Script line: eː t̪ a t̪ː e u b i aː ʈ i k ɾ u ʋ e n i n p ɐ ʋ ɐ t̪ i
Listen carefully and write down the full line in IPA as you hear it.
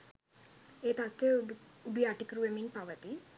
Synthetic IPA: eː t̪ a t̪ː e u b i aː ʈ i k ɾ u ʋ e m i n p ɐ ʋ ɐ t̪ i